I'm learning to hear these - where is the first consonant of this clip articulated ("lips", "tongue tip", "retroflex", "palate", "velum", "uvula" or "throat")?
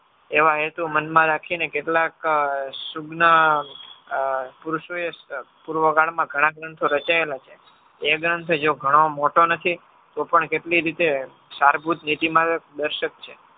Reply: lips